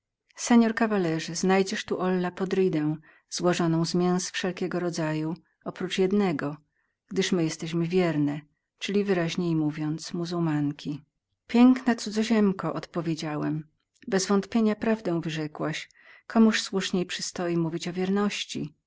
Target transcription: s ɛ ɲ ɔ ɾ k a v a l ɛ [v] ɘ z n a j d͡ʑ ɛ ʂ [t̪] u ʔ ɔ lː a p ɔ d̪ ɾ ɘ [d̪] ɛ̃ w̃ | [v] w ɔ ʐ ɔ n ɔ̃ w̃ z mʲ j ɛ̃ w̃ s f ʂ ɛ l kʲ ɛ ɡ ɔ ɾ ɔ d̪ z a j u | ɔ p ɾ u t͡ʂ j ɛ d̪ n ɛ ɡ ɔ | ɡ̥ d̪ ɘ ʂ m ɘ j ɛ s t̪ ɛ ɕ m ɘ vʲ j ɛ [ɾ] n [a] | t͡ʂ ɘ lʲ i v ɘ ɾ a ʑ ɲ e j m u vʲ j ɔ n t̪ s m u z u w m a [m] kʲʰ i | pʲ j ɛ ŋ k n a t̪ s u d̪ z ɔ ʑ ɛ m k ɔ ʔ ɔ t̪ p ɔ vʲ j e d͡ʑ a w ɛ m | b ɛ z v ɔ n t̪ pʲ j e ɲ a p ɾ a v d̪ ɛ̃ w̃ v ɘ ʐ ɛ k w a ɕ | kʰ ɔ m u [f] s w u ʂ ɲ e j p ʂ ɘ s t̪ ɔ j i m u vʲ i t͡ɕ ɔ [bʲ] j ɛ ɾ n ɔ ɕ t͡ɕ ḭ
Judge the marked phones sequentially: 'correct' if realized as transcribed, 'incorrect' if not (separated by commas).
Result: incorrect, correct, correct, incorrect, correct, incorrect, incorrect, incorrect, incorrect